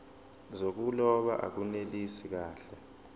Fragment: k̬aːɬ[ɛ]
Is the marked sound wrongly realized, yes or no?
no